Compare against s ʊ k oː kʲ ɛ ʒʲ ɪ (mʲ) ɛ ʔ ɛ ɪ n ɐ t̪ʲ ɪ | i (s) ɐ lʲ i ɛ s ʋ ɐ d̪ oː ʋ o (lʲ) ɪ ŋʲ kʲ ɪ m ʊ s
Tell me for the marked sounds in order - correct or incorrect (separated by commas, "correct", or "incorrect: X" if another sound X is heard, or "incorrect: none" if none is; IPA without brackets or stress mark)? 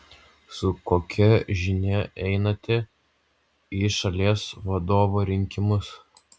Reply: incorrect: nʲ, incorrect: ʃ, incorrect: ɾʲ